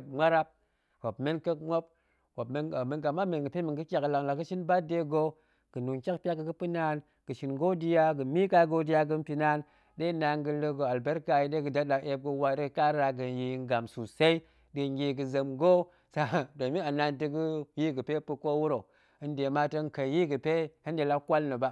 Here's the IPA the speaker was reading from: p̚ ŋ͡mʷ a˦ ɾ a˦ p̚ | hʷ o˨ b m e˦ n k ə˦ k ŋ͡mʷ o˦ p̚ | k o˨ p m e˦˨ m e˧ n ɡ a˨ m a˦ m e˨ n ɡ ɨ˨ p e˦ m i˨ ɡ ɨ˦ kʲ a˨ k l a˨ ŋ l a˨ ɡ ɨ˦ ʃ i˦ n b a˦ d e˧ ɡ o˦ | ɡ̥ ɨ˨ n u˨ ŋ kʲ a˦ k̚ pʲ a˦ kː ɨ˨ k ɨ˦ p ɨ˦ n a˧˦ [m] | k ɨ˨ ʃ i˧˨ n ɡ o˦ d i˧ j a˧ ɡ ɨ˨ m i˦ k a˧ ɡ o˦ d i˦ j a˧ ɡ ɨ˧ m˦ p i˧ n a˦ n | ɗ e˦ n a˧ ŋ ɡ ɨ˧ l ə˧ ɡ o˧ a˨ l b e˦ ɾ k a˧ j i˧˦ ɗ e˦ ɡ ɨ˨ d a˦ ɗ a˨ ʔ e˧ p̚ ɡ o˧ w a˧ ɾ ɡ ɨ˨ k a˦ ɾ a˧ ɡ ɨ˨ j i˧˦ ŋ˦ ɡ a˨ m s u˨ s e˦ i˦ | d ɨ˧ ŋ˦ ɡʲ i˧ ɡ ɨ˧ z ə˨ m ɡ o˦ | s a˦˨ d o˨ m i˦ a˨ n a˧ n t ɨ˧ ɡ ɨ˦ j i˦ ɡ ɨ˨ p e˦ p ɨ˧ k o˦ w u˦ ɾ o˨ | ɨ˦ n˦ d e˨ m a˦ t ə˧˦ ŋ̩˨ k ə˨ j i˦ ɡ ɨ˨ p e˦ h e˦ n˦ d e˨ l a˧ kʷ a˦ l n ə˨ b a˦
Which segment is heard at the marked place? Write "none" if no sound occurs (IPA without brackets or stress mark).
n